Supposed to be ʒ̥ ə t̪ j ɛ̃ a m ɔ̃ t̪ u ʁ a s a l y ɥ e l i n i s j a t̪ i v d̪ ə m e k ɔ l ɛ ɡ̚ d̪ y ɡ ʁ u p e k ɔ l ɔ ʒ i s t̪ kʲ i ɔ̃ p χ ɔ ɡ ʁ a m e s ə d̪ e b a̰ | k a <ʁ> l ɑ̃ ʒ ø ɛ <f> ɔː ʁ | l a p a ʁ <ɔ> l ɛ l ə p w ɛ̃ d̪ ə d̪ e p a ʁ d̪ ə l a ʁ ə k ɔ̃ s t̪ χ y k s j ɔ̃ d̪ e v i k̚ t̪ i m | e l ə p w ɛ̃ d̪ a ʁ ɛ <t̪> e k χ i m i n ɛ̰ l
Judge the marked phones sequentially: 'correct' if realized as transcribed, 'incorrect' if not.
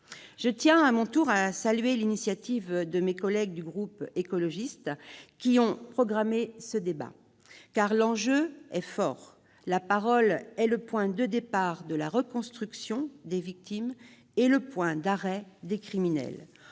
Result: correct, correct, correct, incorrect

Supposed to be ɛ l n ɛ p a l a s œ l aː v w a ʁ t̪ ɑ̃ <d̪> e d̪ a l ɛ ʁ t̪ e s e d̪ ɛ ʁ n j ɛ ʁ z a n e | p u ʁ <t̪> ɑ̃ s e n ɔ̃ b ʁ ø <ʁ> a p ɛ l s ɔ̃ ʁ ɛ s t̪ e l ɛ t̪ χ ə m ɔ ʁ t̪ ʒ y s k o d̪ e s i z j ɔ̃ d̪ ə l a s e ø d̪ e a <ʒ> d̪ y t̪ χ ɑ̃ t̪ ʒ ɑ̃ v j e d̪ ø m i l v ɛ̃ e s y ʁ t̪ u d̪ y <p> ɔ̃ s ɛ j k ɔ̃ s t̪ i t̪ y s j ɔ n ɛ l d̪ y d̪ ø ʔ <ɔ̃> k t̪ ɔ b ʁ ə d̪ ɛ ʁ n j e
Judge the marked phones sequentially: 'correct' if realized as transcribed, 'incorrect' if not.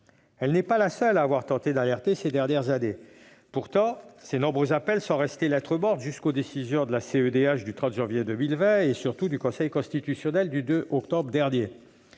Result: incorrect, correct, incorrect, incorrect, incorrect, incorrect

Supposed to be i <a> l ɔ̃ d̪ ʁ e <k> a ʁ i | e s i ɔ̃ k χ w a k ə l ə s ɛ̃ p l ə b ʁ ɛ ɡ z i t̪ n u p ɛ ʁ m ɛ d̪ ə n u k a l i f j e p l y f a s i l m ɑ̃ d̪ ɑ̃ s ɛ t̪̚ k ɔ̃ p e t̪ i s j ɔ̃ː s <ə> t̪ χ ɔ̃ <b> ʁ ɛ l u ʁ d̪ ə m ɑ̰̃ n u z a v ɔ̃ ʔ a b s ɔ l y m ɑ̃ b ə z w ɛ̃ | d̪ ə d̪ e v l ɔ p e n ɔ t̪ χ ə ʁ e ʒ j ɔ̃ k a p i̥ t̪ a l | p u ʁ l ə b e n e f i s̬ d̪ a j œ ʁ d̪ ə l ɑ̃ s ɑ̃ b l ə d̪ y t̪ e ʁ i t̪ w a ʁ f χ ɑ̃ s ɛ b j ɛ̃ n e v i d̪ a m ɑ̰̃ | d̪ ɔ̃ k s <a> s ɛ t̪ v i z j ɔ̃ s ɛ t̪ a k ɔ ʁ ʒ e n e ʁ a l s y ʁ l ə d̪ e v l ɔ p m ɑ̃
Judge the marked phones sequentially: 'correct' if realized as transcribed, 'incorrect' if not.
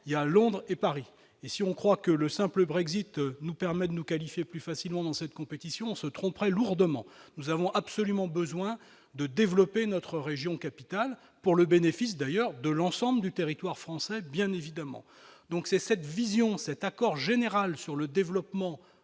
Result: correct, incorrect, correct, incorrect, incorrect

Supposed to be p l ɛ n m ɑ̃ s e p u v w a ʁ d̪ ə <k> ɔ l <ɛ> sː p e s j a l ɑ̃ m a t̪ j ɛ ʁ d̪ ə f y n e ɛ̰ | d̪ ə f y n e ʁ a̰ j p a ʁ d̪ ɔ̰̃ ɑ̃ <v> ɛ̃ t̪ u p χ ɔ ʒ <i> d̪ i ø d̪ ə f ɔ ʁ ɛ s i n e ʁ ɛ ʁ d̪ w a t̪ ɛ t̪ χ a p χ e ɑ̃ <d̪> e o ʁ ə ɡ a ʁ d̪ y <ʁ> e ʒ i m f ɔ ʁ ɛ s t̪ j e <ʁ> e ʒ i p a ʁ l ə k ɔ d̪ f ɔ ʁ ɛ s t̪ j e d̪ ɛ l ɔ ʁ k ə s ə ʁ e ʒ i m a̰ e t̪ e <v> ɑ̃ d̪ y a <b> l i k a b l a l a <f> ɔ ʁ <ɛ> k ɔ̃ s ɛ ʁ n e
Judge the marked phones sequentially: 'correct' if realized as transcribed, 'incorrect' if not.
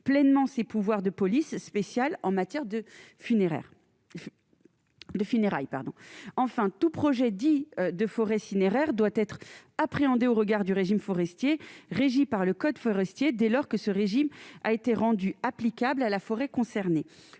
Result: incorrect, incorrect, incorrect, incorrect, correct, correct, correct, incorrect, incorrect, correct, correct

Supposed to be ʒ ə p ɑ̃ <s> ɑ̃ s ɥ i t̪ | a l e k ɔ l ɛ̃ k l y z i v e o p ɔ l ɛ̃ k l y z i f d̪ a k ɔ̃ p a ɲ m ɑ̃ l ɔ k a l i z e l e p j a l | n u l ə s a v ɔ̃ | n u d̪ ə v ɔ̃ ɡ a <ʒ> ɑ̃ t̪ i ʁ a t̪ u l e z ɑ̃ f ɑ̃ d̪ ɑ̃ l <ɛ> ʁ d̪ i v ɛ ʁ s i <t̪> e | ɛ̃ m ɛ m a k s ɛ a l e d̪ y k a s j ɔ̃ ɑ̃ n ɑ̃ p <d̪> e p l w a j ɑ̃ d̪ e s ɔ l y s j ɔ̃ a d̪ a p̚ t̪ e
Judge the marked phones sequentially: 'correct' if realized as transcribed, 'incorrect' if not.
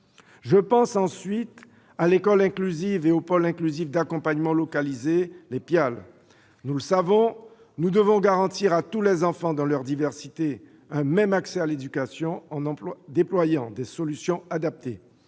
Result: correct, incorrect, incorrect, correct, correct

